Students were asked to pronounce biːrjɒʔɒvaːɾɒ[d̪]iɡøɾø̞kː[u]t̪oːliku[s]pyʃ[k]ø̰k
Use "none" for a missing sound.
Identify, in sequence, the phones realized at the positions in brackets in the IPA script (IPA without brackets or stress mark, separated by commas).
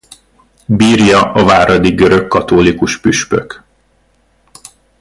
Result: d̪, ɒ, ʃ, p